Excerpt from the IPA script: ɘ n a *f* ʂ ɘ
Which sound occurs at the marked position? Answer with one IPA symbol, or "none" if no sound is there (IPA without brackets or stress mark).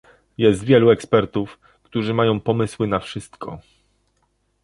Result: f